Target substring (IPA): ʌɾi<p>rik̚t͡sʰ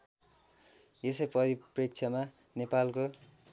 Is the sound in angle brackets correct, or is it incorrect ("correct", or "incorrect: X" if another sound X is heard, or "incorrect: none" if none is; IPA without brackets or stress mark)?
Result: correct